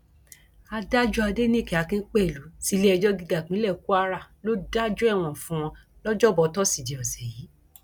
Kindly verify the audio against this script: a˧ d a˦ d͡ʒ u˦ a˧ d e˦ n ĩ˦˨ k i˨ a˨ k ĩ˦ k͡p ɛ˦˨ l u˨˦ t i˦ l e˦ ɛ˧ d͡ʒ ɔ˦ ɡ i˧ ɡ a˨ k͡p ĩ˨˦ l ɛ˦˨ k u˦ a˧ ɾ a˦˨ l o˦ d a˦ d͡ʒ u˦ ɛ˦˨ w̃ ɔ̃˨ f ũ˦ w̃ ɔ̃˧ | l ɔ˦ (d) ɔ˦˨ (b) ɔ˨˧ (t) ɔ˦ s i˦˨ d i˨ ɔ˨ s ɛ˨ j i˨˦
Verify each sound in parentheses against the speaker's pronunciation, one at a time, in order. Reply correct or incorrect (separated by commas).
incorrect, correct, correct